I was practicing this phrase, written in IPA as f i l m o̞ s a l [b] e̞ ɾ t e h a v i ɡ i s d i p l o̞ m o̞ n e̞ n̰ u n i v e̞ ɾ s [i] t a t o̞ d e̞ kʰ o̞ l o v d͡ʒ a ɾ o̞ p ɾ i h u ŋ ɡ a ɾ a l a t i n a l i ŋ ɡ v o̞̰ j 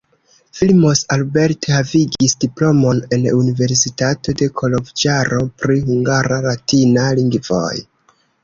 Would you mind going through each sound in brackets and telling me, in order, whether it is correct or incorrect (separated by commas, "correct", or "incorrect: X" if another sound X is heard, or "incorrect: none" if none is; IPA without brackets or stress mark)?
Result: correct, correct